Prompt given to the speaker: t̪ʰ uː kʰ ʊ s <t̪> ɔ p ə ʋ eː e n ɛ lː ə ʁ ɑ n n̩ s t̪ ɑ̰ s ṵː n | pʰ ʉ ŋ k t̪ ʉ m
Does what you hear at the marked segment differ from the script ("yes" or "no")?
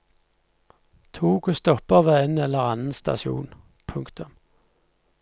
no